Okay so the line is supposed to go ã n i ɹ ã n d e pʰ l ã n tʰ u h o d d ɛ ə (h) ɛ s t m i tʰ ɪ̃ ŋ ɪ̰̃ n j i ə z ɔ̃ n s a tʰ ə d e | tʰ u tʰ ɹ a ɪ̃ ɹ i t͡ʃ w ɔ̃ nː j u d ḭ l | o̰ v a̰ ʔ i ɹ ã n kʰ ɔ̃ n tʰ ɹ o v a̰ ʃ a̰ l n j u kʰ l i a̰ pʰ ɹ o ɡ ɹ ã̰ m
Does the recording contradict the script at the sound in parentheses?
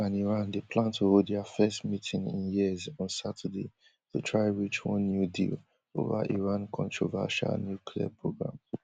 yes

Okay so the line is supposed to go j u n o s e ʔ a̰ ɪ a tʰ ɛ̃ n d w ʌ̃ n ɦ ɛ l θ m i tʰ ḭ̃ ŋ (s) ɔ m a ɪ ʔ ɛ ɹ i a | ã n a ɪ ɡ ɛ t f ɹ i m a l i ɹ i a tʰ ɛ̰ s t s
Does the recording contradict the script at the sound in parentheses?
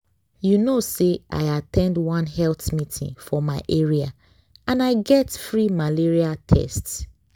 yes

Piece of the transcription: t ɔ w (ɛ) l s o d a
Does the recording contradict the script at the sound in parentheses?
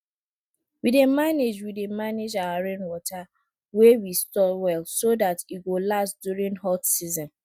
no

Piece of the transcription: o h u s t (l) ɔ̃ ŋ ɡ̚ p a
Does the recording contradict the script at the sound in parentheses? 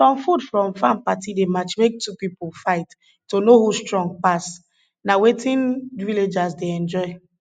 yes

